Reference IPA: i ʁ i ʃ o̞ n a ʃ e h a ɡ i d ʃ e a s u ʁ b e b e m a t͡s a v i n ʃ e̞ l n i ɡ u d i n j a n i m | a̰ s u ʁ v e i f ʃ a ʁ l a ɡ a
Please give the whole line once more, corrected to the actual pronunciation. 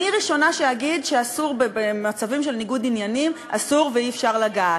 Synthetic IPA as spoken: i ʁ i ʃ o̞ n a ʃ e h a ɡ i d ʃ e a s u ʁ b e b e m a t͡s a v i m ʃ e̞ l n i ɡ u d i n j a n i m | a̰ s u ʁ v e i f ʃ a ʁ l a ɡ a